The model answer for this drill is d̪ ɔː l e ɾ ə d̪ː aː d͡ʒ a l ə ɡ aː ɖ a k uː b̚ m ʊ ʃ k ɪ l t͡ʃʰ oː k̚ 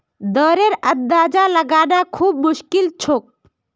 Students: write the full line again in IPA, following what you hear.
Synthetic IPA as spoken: d̪ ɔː ɾ e ɾ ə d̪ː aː d͡ʒ a l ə ɡ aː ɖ a kʰ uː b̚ m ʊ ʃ k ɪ l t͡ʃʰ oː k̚